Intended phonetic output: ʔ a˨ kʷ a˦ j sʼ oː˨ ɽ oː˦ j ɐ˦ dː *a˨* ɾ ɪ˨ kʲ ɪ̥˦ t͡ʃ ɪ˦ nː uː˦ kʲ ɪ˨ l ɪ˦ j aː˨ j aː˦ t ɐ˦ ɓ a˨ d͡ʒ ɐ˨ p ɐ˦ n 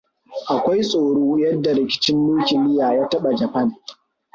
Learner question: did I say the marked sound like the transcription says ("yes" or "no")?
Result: yes